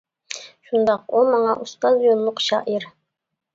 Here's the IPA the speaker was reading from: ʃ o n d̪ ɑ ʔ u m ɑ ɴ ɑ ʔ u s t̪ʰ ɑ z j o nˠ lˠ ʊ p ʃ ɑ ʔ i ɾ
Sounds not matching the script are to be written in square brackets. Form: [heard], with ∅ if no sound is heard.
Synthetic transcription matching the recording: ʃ [u] n d̪ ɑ [q] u m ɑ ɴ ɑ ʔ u s [t̪] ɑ z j o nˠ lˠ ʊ [q] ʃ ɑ ʔ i ɾ